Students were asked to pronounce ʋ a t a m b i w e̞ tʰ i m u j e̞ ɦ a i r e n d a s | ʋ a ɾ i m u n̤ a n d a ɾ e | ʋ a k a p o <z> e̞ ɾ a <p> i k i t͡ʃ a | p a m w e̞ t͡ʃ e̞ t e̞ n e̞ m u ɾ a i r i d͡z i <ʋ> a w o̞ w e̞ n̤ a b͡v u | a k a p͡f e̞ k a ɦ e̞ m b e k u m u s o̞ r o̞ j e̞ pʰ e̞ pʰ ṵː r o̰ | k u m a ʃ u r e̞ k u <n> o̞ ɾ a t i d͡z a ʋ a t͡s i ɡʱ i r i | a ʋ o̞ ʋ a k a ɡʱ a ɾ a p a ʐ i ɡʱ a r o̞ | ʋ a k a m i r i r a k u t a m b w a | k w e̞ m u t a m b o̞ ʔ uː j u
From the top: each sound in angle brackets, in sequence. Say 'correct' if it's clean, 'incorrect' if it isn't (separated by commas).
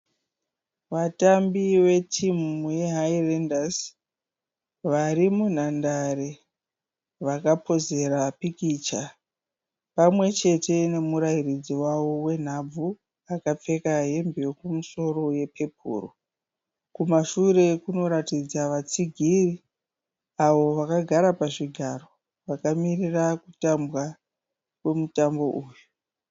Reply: correct, correct, incorrect, correct